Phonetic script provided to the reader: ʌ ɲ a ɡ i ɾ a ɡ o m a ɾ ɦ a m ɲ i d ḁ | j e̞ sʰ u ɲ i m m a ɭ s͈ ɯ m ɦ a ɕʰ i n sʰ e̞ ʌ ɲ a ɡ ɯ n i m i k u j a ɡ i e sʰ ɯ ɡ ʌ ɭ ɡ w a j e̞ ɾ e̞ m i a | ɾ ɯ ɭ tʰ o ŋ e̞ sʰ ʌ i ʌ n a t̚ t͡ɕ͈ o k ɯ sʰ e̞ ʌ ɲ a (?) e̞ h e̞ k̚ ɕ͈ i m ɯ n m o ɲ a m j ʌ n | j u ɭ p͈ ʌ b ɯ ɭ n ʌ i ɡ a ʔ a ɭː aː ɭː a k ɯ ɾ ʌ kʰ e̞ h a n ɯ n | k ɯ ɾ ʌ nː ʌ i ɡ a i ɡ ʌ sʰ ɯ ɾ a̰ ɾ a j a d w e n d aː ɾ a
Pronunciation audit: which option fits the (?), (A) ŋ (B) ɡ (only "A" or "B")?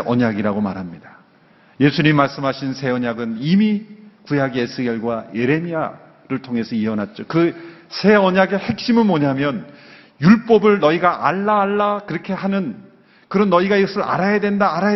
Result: B